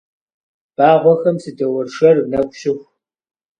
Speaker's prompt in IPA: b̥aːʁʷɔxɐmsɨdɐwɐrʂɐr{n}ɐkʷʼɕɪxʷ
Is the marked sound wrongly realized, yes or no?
no